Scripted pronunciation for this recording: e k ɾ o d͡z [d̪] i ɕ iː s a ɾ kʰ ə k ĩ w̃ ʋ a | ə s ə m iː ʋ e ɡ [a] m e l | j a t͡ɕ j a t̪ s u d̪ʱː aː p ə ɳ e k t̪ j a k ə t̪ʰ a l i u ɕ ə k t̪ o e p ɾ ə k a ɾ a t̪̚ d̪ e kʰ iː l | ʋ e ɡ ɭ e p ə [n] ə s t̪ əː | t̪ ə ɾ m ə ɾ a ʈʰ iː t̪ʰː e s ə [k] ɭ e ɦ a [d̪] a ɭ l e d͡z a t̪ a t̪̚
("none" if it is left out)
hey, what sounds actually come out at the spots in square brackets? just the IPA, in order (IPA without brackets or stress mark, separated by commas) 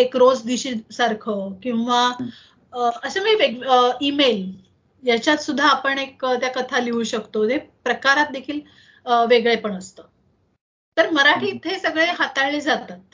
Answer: d̪, i, ɳ, ɡ, t̪